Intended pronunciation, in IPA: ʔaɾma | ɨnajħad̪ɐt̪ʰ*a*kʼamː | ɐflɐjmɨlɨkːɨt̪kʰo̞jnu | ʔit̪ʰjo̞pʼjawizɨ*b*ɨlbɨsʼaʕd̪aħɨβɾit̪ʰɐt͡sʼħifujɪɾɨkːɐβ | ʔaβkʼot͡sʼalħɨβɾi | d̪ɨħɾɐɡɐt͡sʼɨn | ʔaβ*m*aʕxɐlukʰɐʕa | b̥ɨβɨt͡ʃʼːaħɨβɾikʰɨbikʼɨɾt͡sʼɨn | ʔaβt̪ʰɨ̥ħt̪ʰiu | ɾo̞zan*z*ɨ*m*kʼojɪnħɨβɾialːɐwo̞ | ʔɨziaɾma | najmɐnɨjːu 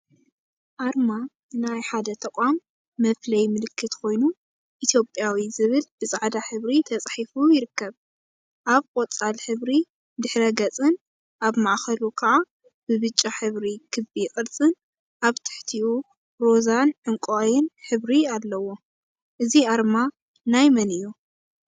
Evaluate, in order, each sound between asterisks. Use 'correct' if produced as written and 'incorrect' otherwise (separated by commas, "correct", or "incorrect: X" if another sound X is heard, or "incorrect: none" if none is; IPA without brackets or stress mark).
incorrect: ɐ, incorrect: β, correct, incorrect: ʕ, incorrect: ŋ